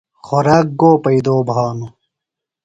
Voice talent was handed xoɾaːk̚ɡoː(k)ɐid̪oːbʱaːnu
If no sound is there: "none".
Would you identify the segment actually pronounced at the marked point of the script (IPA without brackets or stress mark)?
p